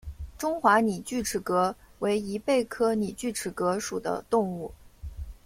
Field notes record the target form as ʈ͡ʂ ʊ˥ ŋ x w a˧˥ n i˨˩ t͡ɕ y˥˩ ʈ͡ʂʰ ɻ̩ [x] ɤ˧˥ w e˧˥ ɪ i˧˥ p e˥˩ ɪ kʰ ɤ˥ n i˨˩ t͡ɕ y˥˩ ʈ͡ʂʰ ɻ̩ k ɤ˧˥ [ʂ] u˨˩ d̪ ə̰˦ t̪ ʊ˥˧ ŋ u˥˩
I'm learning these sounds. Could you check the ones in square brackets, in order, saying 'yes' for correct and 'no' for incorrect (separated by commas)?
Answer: no, yes